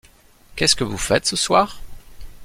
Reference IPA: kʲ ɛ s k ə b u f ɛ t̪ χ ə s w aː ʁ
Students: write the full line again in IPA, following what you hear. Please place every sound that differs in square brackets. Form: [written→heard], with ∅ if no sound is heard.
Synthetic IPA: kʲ ɛ s k ə [b→v] u f ɛ t̪ [χ→s] ə s w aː ʁ

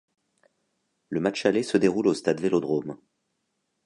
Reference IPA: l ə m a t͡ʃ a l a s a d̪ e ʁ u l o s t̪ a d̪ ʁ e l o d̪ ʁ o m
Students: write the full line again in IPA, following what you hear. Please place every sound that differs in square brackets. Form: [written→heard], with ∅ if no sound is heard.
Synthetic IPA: l ə m a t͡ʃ a l [a→e] s [a→ə] d̪ e ʁ u l o s t̪ a d̪ [ʁ→v] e l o d̪ ʁ o m

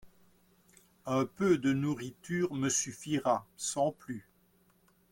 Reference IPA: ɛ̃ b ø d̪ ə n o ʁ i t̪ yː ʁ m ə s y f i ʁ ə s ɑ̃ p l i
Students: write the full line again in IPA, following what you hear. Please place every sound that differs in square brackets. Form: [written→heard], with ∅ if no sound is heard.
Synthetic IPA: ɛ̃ [b→p] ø d̪ ə n [o→u] ʁ i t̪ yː ʁ m ə s y f i ʁ [ə→a] s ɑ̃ p l [i→y]

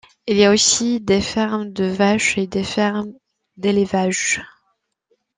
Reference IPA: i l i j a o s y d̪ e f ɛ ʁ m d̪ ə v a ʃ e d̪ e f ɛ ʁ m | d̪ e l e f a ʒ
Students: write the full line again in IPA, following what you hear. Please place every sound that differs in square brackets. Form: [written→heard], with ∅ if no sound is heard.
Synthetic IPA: i l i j a o s [y→i] d̪ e f ɛ ʁ m d̪ ə v a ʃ e d̪ e f ɛ ʁ m | d̪ e l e [f→v] a ʒ

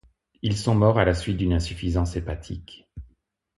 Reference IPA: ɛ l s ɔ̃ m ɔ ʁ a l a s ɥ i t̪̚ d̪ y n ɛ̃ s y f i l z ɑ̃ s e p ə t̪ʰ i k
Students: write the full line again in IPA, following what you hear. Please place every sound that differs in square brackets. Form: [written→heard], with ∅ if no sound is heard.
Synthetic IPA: [ɛ→i] l s ɔ̃ m ɔ ʁ a l a s ɥ i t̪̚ d̪ y n ɛ̃ s y f i [l→∅] z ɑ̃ s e p [ə→a] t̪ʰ i k

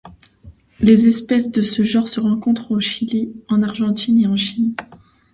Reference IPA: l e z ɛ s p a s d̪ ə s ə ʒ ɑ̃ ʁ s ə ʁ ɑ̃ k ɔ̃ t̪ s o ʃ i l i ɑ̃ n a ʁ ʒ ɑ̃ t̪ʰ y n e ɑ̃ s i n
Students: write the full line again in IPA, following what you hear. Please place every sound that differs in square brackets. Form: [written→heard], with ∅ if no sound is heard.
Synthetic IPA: l e z ɛ s p [a→ɛ] s d̪ ə s ə ʒ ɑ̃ ʁ s ə ʁ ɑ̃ k ɔ̃ t̪ [s→χ] o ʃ i l i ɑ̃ n a ʁ ʒ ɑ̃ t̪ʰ [y→i] n e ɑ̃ [s→ʃ] i n

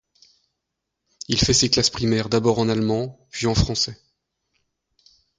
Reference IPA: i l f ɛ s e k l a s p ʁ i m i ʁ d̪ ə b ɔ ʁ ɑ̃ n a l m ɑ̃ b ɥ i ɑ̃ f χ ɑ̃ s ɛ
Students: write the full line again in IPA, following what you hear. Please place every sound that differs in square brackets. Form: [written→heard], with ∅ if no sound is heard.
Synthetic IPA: i l f ɛ s e k l a s p [ʁ→χ] i m [i→ɛ] ʁ d̪ [ə→a] b ɔ ʁ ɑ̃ n a l m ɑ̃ [b→p] ɥ i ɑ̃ f χ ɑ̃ s ɛ

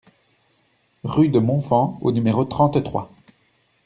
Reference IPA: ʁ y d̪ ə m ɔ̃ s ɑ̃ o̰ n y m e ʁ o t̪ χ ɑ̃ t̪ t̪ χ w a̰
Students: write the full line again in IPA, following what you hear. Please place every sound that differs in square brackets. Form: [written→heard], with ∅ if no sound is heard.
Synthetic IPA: ʁ y d̪ ə m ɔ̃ [s→f] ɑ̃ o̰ n y m e ʁ o t̪ χ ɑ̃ t̪ t̪ χ w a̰

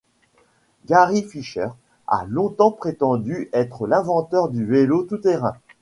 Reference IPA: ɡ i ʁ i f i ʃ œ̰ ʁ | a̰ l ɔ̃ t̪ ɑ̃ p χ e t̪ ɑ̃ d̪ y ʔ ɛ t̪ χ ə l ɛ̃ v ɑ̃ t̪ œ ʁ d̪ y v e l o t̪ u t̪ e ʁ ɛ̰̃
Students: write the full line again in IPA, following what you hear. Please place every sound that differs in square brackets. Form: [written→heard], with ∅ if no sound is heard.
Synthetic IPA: ɡ [i→a] ʁ i f i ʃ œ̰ ʁ | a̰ l ɔ̃ t̪ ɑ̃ p χ e t̪ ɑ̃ d̪ y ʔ ɛ t̪ χ ə l ɛ̃ v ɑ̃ t̪ œ ʁ d̪ y v e l o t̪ u t̪ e ʁ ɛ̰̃

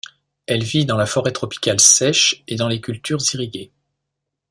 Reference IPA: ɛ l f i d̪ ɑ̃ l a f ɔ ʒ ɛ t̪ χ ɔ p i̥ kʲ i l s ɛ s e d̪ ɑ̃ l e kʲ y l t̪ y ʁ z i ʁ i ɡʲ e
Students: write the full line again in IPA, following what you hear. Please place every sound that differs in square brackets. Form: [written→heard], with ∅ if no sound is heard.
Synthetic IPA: ɛ l [f→v] i d̪ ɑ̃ l a f ɔ [ʒ→ʁ] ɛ t̪ χ ɔ p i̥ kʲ [i→a] l s ɛ [s→ʃ] e d̪ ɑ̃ l e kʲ y l t̪ y ʁ z i ʁ i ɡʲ e

